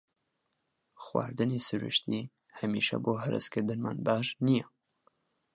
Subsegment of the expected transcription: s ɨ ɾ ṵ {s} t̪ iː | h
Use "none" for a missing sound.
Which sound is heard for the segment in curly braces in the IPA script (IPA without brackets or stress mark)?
ʃ